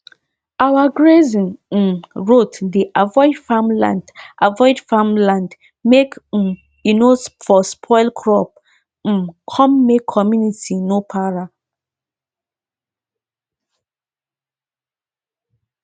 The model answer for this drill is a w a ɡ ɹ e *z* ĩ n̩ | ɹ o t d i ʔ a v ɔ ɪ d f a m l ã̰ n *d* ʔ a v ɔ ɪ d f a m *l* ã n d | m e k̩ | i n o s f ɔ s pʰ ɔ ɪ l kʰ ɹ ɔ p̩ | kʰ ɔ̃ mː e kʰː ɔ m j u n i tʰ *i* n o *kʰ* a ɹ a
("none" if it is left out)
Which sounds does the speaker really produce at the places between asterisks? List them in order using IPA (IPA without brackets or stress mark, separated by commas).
z, d, l, i, pʰ